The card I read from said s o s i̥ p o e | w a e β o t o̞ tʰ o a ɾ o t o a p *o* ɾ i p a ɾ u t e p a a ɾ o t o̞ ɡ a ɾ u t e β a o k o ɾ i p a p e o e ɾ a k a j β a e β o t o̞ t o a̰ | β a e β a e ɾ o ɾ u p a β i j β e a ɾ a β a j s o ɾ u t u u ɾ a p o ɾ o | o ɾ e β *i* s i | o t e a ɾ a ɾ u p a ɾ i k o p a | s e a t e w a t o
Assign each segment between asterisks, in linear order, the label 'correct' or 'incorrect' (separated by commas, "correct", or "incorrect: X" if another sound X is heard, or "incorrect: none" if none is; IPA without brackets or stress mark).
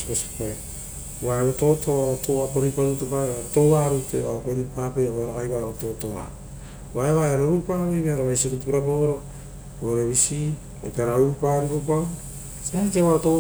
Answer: correct, correct